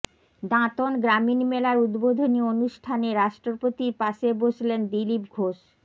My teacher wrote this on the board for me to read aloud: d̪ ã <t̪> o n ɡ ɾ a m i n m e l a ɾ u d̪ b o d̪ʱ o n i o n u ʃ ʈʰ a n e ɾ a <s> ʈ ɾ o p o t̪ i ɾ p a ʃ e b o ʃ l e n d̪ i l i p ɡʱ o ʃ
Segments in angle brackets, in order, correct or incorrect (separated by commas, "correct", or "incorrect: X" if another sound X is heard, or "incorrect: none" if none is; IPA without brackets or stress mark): correct, incorrect: ʃ